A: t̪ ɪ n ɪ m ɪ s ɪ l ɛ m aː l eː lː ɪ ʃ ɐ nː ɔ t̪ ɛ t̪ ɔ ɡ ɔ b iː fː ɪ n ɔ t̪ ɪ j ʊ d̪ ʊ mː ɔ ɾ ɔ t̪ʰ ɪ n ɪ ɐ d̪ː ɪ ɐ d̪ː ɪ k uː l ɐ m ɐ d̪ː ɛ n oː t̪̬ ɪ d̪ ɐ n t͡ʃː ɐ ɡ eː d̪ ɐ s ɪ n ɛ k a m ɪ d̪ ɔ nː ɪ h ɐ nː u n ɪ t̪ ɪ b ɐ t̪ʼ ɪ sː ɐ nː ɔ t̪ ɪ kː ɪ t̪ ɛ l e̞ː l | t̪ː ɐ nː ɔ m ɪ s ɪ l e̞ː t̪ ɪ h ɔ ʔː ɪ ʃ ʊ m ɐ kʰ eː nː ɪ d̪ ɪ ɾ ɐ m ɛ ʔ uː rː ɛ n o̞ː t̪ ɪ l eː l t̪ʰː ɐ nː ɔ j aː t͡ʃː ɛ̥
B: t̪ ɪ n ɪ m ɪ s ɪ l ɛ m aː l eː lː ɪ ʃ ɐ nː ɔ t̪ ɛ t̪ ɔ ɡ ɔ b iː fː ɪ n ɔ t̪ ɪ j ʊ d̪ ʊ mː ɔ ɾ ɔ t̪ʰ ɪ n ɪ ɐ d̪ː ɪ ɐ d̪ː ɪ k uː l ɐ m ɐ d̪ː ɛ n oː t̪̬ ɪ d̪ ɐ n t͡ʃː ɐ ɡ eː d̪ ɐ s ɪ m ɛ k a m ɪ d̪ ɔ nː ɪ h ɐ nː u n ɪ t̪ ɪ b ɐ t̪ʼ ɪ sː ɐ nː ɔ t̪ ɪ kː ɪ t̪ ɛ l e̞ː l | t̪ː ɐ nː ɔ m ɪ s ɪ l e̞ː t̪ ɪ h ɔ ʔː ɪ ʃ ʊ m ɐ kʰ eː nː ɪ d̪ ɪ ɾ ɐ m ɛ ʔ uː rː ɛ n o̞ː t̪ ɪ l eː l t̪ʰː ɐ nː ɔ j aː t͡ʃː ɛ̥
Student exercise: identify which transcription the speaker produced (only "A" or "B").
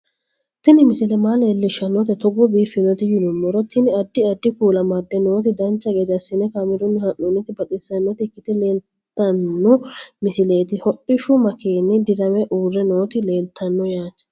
A